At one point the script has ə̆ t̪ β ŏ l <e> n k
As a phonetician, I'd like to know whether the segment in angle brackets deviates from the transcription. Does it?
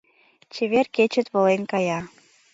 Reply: no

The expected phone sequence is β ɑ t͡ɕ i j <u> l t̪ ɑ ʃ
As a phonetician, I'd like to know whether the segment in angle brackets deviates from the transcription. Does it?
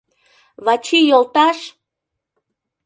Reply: yes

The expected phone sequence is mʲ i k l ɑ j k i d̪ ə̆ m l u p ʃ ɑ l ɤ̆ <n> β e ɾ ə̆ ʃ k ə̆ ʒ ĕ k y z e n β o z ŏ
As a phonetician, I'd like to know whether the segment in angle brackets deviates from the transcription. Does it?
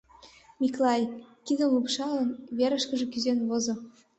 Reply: no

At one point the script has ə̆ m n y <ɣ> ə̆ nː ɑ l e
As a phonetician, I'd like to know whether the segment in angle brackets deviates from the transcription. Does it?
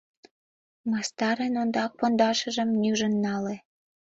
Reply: yes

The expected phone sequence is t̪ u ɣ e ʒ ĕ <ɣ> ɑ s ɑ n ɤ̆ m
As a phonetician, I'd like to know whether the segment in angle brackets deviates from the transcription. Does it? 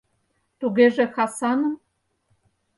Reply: yes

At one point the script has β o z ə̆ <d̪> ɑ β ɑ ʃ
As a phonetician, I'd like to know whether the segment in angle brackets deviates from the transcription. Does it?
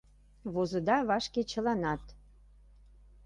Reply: no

